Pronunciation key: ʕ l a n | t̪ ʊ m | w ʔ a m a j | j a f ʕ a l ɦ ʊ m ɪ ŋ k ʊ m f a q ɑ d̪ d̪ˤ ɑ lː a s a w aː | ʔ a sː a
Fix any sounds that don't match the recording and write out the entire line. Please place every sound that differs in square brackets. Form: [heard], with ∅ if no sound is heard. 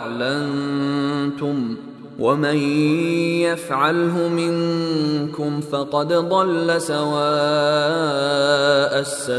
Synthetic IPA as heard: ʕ l a n | t̪ ʊ m | w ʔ a m a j | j a f ʕ a l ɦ ʊ m ɪ ŋ k ʊ m f [ɑ] q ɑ d̪ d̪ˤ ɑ lː a s a w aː | ʔ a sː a